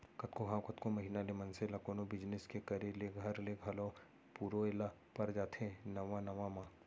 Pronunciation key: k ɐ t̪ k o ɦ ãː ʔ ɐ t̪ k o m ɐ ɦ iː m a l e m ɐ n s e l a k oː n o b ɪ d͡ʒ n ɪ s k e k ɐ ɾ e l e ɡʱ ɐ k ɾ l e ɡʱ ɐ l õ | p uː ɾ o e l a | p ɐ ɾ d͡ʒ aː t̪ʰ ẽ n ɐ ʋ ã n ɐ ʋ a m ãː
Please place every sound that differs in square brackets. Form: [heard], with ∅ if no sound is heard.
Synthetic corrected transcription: k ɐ t̪ k o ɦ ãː [k] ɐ t̪ k o m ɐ ɦ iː [n] a l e m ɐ n s e l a k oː n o b ɪ d͡ʒ n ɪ s k e k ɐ ɾ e l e ɡʱ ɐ [∅] ɾ l e ɡʱ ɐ l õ | p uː ɾ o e l a | p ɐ ɾ d͡ʒ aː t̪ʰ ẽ n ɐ ʋ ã n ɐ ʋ a m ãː